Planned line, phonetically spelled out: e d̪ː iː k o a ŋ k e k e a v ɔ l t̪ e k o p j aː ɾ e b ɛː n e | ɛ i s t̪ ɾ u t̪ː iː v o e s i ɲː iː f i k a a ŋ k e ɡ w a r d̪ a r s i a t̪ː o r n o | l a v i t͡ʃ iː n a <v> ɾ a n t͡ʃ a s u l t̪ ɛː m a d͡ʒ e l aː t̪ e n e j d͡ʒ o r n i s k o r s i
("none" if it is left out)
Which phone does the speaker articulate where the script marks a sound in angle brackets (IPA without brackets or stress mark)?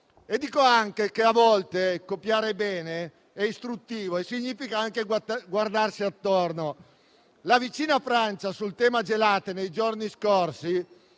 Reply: f